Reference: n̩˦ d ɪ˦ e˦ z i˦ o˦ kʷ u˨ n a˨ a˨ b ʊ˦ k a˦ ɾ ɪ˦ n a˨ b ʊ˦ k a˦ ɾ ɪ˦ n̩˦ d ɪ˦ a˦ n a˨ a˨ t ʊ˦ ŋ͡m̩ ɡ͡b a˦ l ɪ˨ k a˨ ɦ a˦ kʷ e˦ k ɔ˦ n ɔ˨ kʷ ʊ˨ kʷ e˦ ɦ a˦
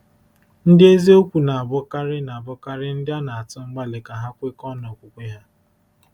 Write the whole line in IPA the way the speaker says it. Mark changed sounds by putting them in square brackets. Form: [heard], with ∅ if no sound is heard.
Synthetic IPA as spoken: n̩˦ d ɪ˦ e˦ z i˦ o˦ kʷ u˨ n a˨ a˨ b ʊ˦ k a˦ ɾ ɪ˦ n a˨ b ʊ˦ k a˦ ɾ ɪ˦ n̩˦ d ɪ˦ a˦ n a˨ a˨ t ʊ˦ ŋ͡m̩ ɡ͡b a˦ l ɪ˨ k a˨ ɦ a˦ kʷ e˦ k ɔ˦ n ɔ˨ kʷ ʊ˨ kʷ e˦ ɦ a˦